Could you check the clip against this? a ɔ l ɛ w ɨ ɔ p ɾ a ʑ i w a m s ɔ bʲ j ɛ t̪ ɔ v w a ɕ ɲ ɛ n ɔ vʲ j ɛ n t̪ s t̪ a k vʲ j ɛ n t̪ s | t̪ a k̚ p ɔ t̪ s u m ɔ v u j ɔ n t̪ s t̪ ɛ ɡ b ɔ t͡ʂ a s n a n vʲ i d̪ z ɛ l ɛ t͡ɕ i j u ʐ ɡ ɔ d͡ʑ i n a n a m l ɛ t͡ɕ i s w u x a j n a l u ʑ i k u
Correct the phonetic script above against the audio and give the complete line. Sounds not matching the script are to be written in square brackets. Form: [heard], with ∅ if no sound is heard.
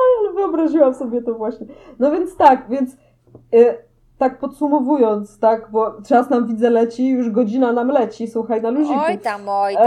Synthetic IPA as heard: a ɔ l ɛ [v] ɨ ɔ [b] ɾ a ʑ i w a m s ɔ bʲ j ɛ t̪ ɔ v w a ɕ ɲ ɛ n ɔ vʲ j ɛ n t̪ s t̪ a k vʲ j ɛ n t̪ s | t̪ a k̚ p ɔ t̪ s u m ɔ v u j ɔ n t̪ s t̪ [a] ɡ b ɔ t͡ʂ a s n a [m] vʲ i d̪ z ɛ l ɛ t͡ɕ i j u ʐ ɡ ɔ d͡ʑ i n a n a m l ɛ t͡ɕ i s w u x a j n a l u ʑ i k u